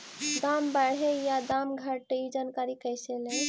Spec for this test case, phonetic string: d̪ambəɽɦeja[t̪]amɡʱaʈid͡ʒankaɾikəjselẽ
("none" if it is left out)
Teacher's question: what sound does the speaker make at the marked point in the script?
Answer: d̪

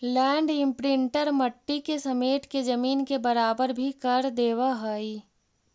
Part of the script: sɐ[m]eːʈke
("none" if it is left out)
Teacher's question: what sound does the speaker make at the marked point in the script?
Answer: m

